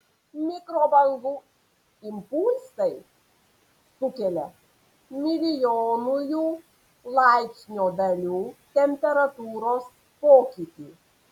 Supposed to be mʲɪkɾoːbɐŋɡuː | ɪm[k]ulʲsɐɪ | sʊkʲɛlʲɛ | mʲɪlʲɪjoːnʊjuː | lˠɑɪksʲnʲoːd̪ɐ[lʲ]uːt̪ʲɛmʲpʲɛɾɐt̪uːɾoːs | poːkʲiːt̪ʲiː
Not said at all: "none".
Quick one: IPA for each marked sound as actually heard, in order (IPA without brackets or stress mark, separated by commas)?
p, lʲ